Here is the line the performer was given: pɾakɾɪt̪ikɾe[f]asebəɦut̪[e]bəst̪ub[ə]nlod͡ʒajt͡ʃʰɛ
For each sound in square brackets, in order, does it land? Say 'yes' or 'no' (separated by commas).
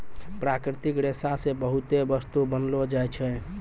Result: no, yes, yes